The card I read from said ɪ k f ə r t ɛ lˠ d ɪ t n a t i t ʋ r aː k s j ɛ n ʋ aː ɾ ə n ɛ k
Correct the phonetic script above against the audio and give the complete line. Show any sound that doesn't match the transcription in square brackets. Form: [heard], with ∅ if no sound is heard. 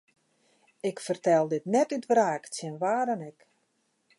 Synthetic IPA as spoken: ɪ k f ə r t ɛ lˠ d ɪ t n [ɛ] t [y] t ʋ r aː k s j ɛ n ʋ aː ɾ ə n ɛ k